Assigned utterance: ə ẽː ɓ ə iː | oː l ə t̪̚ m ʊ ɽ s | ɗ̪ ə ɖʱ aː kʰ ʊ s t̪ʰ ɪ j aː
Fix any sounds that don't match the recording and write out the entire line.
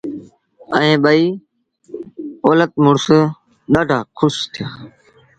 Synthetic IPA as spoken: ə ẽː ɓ ə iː | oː l ə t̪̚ m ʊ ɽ s | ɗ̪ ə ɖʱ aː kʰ ʊ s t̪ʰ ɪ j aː